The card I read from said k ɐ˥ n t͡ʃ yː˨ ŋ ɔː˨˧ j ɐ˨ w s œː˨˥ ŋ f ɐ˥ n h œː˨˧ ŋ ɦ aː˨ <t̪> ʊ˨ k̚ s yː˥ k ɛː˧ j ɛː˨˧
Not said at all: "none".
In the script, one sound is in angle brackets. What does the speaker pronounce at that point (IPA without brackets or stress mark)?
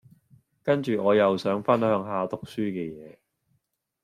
t̪